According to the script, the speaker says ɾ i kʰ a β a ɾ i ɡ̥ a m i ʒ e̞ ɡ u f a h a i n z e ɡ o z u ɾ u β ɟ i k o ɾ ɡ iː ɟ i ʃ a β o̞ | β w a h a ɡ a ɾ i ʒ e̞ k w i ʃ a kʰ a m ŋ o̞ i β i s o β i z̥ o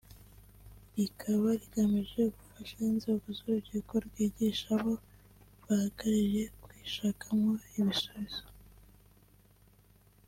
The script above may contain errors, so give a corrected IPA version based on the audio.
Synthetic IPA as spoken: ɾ i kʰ a β a ɾ i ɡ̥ a m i ʒ e̞ ɡ u f a ʃ a i n z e ɡ o z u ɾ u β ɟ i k o ɾ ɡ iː ɟ i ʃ a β o̞ | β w a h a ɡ a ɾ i ʒ e̞ k w i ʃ a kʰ a m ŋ o̞ i β i s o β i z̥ o